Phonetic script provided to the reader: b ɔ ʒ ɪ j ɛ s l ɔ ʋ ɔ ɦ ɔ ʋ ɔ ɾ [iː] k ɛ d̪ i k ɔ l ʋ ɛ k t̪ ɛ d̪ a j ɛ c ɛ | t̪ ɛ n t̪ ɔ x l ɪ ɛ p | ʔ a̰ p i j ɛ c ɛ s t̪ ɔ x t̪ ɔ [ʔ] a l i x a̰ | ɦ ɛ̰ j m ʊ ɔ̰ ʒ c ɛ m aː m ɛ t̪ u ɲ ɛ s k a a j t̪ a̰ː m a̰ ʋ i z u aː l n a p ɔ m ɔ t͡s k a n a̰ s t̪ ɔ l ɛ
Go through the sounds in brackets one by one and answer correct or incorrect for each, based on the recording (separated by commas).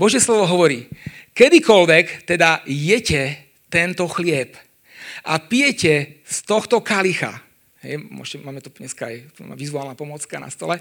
correct, incorrect